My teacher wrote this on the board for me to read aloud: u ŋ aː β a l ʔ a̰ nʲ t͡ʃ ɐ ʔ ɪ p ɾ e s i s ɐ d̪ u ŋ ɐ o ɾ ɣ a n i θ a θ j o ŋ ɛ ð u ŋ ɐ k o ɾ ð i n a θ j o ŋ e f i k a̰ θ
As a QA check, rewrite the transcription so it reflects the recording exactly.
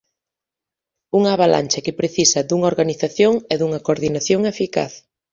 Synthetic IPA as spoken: u ŋ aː β a l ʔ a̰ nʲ t͡ʃ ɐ k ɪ p ɾ e θ i s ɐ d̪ u ŋ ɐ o ɾ ɣ a n i θ a θ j o ŋ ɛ ð u ŋ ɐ k o ɾ ð i n a θ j o ŋ e f i k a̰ θ